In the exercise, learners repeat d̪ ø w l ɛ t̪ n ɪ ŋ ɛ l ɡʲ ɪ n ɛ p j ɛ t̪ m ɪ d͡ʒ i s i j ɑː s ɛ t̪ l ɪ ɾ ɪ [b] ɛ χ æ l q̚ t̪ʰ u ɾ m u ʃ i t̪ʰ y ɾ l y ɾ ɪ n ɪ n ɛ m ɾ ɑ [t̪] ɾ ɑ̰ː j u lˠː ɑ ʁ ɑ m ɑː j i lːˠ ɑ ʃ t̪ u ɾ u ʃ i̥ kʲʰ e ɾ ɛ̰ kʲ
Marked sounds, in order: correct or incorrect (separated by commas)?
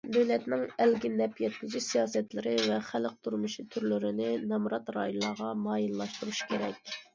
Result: incorrect, correct